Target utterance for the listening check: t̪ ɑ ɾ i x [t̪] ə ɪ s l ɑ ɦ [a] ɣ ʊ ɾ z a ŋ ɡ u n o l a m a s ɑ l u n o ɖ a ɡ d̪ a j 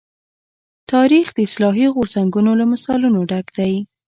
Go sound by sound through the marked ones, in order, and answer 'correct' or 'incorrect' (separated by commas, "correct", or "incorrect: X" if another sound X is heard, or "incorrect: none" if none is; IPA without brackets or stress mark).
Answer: incorrect: d̪, incorrect: i